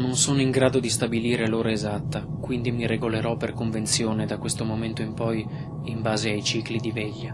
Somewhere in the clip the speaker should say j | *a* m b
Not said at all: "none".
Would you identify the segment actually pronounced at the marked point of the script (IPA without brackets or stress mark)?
i